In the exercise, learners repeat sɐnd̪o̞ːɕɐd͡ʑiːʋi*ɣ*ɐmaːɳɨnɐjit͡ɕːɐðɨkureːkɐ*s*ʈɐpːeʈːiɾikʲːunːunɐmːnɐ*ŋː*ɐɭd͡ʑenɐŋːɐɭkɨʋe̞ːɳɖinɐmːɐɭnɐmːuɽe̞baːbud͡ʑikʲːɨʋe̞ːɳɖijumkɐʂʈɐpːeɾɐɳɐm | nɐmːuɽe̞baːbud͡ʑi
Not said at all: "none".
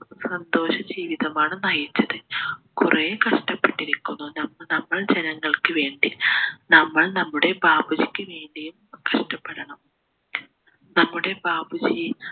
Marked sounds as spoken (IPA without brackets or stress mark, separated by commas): ð, ʂ, mː